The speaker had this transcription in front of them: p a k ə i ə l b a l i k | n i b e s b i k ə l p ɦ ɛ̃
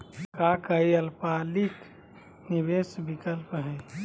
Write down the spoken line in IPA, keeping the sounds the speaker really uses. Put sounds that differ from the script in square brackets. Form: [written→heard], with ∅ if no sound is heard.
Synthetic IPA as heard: [p→k] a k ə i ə l [b→p] a l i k | n i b e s b i k ə l p ɦ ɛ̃